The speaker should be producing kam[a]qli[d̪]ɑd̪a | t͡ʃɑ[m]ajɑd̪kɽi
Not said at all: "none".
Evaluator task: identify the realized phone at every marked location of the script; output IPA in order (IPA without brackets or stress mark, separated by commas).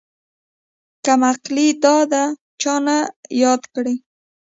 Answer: a, d̪, n